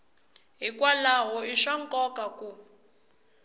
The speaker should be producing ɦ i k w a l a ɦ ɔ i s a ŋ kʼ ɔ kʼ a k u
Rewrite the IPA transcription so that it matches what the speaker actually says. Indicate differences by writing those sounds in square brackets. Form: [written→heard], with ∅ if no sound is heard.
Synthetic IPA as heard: ɦ i k w a l a ɦ ɔ i [s→ʃ] a ŋ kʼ ɔ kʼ a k u